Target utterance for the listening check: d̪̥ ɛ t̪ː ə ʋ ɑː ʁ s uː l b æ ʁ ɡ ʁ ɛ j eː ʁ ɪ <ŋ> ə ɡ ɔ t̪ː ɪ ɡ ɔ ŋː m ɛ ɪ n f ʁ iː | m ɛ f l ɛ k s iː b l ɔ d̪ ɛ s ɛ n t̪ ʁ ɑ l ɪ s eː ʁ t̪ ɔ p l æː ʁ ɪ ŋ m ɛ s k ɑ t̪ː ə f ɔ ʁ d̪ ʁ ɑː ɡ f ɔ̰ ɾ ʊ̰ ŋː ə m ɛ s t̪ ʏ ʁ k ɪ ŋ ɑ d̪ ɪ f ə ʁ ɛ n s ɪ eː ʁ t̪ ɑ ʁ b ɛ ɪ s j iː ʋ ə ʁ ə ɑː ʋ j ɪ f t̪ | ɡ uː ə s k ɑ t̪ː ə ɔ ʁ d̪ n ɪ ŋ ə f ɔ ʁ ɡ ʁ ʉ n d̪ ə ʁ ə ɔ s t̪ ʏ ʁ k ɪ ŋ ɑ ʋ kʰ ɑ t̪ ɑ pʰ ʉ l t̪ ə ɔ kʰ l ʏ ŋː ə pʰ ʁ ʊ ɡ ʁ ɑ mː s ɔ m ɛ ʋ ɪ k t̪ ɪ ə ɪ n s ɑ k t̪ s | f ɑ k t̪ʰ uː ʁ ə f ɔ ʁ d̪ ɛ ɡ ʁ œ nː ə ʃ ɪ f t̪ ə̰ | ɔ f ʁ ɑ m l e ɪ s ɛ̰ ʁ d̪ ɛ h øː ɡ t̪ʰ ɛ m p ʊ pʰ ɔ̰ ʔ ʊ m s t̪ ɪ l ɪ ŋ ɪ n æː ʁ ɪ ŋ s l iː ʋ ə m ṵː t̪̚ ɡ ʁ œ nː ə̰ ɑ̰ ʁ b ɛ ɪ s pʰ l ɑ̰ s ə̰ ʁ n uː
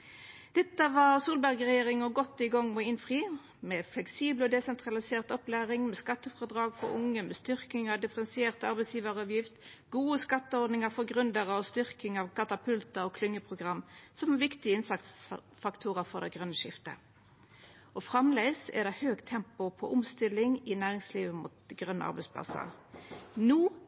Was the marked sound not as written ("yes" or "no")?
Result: no